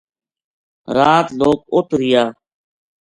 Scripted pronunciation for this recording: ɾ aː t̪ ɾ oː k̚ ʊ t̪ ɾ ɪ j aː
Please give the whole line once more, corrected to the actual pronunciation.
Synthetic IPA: ɾ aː t̪ l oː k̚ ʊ t̪ ɾ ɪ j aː